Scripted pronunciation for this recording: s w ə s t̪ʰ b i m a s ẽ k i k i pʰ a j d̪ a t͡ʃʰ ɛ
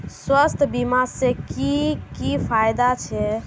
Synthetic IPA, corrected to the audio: s w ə s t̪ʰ b i m a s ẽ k i k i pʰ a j d̪ a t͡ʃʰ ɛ